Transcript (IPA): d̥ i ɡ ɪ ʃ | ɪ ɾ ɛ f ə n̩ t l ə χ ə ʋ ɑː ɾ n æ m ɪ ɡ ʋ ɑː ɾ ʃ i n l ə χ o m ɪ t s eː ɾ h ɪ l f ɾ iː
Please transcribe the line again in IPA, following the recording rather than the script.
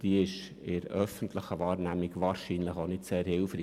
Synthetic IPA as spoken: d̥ i ɪ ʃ | ɪ ɾ œ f ə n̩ t l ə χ ə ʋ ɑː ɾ n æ m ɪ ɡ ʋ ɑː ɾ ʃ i n l ə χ o n ɪ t s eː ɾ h ɪ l f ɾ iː